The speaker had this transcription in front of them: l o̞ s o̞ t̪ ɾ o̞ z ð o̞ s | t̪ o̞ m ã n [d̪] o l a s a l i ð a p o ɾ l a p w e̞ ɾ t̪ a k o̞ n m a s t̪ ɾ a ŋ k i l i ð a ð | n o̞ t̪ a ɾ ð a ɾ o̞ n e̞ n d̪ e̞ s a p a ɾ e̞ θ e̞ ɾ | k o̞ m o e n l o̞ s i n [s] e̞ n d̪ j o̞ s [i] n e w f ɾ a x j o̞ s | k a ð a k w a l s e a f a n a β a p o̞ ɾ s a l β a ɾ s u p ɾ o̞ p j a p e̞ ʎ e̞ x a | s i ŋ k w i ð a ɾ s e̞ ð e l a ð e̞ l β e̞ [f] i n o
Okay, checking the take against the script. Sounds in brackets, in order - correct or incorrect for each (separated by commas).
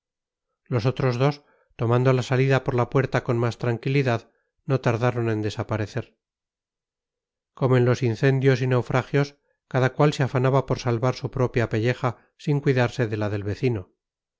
correct, incorrect, correct, incorrect